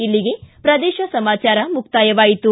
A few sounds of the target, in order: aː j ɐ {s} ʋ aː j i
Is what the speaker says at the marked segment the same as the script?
no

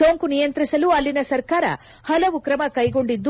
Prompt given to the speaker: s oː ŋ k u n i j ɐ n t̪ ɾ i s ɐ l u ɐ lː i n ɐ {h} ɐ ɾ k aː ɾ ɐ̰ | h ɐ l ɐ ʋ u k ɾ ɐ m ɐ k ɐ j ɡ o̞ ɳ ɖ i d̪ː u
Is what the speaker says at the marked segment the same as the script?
no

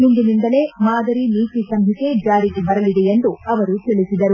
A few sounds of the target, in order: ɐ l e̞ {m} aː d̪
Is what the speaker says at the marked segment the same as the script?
yes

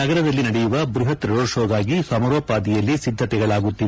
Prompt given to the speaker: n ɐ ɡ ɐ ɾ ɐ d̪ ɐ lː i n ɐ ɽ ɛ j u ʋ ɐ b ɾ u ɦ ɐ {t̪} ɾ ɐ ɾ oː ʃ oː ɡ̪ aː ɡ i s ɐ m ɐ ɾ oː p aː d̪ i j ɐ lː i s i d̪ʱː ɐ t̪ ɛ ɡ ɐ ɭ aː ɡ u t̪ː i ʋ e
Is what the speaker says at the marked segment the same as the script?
yes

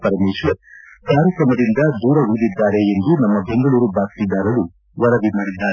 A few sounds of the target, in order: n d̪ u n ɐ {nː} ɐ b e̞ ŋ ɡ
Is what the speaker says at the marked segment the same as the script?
no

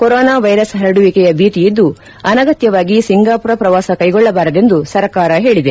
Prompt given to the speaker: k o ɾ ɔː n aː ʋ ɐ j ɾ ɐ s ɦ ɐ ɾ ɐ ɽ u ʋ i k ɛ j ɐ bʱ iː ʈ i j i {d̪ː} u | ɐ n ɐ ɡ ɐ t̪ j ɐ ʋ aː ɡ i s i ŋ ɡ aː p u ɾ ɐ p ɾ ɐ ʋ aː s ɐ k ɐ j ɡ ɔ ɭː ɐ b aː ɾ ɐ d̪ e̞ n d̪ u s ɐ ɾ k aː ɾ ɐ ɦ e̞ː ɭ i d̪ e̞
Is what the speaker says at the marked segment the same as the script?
yes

